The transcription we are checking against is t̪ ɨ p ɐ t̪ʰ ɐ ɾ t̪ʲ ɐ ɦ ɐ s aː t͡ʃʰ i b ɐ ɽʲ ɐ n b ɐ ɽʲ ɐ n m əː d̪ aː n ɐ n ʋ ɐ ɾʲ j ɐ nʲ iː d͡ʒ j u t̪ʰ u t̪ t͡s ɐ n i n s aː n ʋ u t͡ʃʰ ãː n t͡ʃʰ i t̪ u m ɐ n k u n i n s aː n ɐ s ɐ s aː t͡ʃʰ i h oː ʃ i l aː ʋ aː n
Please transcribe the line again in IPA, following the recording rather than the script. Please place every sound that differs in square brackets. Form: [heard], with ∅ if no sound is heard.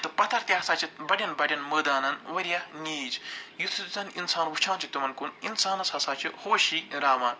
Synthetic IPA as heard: t̪ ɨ p ɐ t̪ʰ ɐ ɾ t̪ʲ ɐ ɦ ɐ s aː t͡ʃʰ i b ɐ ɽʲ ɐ n b ɐ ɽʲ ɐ n m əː d̪ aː n ɐ n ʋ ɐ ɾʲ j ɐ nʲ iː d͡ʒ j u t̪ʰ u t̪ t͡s ɐ n i n s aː n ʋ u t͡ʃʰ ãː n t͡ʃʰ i t̪ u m ɐ n k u n i n s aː n ɐ s ɐ s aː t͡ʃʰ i h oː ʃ i [ɾ] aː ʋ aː n